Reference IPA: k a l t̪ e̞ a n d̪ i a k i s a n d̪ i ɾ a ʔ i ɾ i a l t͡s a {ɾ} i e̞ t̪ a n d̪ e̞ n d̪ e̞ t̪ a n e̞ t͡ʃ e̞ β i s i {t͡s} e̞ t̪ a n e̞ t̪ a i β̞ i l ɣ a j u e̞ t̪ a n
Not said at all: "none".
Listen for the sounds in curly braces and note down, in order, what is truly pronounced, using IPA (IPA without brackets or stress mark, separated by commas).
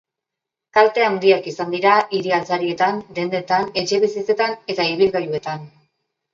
ɾ, t͡s